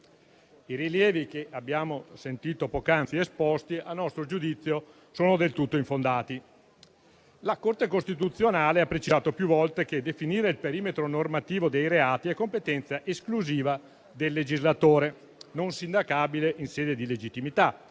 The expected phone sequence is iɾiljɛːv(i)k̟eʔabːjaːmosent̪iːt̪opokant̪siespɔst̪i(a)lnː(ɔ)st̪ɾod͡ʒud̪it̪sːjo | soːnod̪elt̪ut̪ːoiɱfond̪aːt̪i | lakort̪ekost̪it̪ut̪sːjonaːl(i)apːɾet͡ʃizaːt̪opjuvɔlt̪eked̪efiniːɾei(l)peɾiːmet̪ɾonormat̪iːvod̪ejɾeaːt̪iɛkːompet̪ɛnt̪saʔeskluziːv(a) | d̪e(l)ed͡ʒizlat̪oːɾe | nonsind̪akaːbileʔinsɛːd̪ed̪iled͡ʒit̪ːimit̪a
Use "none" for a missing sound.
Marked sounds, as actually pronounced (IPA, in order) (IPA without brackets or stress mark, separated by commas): i, a, ɔ, e, l, a, lː